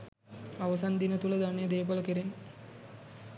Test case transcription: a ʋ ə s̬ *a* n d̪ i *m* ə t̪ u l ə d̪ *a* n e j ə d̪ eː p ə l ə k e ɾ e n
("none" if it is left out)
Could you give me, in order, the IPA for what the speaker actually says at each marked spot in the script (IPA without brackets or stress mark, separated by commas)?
a, n, a